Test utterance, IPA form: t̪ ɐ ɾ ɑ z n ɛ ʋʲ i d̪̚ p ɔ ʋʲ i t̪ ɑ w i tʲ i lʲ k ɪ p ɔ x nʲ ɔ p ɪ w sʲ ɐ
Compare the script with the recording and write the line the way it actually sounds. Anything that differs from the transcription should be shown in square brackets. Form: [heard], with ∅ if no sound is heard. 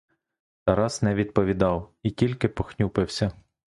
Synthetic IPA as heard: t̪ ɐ ɾ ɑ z n ɛ ʋʲ i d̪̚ p ɔ ʋʲ i [d̪] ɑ w i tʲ i lʲ k ɪ p ɔ x nʲ [u] p ɪ w sʲ ɐ